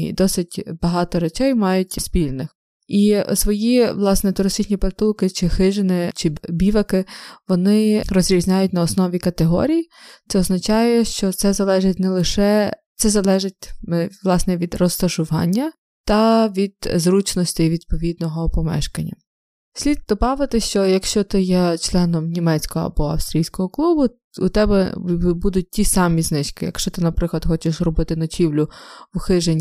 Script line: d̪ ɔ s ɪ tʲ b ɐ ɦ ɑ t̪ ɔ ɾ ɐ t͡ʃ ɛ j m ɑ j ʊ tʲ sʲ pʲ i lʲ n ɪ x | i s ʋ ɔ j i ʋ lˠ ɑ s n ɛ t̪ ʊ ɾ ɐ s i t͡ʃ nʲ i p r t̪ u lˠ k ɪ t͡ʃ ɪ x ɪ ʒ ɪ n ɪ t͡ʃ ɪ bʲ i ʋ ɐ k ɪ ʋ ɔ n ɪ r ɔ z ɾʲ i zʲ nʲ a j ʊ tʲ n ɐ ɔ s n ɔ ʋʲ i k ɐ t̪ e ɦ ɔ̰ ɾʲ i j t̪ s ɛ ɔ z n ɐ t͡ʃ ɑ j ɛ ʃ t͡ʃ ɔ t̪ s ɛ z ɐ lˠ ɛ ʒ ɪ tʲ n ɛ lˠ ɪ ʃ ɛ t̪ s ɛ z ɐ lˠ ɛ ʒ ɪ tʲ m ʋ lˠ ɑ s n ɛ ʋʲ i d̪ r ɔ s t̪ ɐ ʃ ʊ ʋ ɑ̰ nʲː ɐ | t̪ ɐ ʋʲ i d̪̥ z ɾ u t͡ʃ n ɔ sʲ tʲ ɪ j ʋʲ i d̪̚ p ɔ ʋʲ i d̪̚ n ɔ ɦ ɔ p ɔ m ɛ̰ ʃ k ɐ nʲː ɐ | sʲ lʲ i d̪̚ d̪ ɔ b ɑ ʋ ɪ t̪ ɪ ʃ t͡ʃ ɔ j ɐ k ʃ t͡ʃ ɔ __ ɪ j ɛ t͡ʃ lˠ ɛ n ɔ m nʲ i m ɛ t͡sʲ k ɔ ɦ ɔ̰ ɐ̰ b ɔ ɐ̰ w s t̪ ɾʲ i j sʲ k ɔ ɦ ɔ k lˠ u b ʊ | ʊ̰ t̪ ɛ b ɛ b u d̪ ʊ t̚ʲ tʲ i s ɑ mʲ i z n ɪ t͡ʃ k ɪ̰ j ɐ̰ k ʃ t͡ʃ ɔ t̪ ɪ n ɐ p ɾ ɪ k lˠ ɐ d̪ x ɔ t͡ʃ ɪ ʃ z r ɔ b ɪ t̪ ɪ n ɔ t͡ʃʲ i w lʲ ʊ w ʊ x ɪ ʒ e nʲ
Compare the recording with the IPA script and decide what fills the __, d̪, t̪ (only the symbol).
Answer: t̪